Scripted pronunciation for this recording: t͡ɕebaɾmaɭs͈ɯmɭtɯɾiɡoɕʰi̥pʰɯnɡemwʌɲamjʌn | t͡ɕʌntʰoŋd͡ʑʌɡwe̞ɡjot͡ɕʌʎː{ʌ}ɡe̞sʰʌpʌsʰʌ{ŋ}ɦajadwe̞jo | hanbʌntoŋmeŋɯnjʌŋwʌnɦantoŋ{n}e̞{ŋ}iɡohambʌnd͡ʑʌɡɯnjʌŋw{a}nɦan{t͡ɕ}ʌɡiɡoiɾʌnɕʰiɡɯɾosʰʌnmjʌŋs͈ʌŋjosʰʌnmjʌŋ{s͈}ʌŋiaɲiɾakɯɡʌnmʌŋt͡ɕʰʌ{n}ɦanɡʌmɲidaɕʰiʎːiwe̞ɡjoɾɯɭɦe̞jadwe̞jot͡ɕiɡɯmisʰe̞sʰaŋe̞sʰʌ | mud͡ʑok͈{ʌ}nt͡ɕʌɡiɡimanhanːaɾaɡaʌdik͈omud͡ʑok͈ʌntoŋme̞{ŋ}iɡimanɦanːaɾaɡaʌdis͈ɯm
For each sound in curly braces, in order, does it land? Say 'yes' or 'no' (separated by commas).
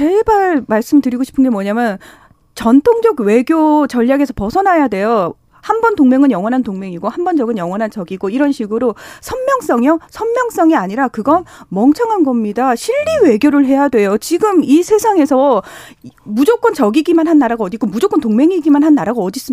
no, no, no, yes, no, yes, yes, no, yes, yes